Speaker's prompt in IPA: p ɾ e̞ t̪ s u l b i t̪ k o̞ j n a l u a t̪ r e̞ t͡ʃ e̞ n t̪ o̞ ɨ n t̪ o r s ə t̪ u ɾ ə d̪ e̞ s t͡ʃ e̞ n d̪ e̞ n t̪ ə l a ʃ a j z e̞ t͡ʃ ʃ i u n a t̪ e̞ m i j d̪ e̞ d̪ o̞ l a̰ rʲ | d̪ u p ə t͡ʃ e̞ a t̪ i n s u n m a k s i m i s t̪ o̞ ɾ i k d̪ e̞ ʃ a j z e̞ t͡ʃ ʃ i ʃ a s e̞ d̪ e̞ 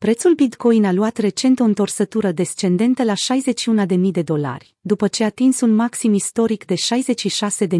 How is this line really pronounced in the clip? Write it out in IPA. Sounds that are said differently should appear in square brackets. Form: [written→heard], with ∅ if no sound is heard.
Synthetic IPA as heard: p ɾ e̞ t̪ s u l b i t̪ k o̞ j n a l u a t̪ r e̞ t͡ʃ e̞ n t̪ o̞ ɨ n t̪ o r s ə t̪ u ɾ ə d̪ e̞ s t͡ʃ e̞ n d̪ e̞ n t̪ ə l a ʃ a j z e̞ t͡ʃ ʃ i u n a [t̪→d̪] e̞ m i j d̪ e̞ d̪ o̞ l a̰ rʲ | d̪ u p ə t͡ʃ e̞ a t̪ i n s u n m a k s i m i s t̪ o̞ ɾ i k d̪ e̞ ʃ a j z e̞ t͡ʃ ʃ i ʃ a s e̞ d̪ e̞